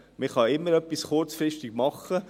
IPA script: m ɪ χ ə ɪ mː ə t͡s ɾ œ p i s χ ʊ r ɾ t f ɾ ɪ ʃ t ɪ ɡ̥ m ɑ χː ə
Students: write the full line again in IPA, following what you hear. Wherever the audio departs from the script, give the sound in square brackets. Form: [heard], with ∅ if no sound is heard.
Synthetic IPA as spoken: m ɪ χ [ɑ] ɪ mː ə [∅] ɾ œ p i s χ ʊ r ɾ [t͡s] f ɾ ɪ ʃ t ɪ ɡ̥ m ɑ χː ə